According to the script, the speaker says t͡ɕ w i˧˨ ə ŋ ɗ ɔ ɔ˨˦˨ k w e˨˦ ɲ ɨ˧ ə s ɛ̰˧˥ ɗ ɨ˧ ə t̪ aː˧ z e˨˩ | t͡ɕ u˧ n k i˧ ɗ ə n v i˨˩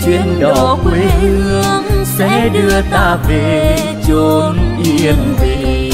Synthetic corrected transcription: t͡ɕ w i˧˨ ə n ɗ ɔ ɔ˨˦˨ k w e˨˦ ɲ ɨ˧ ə s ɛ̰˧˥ ɗ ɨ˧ ə t̪ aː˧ v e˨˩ | t͡ɕ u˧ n ʔ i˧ ə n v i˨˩

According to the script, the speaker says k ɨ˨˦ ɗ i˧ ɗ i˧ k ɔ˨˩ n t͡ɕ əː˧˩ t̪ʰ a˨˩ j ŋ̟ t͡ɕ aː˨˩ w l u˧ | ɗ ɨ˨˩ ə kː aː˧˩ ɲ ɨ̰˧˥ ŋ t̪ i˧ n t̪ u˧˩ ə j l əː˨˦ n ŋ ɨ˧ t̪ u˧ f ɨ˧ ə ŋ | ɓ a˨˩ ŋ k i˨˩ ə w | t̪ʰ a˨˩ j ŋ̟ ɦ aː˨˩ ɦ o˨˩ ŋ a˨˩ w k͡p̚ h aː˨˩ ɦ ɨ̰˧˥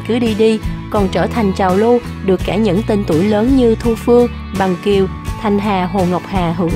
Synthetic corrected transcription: k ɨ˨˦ ɗ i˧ ɗ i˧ k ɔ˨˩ n t͡ɕ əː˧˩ t̪ʰ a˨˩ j ŋ̟ t͡ɕ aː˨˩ w l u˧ | ɗ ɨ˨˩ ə kː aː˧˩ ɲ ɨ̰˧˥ ŋ t̪ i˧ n t̪ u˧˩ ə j l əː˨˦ n ɲ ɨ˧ t̪ʰ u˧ f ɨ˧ ə ŋ | ɓ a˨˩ ŋ k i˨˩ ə w | t̪ʰ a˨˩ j ŋ̟ ɦ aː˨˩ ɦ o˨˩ ŋ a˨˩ w k͡p̚ h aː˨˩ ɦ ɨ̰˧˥

